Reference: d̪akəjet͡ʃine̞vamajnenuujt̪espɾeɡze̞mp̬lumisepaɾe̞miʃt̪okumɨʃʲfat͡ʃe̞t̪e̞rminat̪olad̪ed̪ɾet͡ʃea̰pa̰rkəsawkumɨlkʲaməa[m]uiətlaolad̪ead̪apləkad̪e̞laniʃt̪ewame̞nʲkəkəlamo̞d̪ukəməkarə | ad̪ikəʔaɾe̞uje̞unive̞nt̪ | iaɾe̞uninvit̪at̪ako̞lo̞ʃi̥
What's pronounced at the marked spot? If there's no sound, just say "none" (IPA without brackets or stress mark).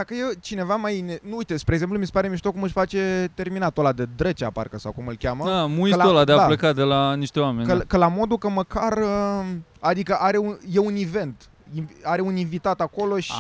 m